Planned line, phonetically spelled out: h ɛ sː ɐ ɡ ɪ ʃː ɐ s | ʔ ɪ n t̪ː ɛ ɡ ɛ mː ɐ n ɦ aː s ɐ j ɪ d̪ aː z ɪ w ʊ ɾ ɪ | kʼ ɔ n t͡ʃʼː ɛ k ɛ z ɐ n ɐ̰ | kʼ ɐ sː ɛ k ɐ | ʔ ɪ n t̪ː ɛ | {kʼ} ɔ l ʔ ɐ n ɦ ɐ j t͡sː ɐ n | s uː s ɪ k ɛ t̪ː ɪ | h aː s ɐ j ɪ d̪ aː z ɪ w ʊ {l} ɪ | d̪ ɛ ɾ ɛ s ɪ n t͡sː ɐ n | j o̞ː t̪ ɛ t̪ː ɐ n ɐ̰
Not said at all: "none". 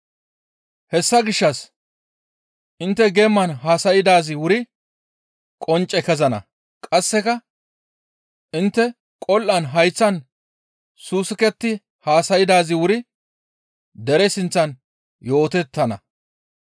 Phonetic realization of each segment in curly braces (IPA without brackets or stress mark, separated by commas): kʼ, ɾ